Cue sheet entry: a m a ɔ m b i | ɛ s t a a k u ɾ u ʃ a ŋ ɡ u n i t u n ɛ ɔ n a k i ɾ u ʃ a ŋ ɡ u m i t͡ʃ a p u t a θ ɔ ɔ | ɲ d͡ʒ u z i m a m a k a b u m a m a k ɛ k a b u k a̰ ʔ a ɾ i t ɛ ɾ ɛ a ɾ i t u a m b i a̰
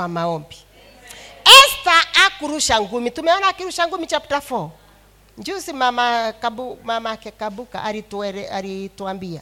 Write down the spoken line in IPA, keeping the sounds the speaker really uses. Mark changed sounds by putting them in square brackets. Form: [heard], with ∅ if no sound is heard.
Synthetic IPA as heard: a m a ɔ m b i | ɛ s t a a k u ɾ u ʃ a ŋ ɡ u [m] i t u [m] ɛ ɔ n a k i ɾ u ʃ a ŋ ɡ u m i t͡ʃ a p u t a [f] ɔ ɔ | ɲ d͡ʒ u [s] i m a m a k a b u m a m a k ɛ k a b u k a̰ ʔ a ɾ i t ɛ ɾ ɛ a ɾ i t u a m b i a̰